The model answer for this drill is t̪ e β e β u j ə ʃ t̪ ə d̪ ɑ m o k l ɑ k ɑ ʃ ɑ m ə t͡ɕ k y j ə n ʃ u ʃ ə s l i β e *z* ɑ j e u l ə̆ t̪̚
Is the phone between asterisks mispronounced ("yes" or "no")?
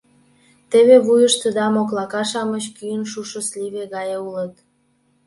yes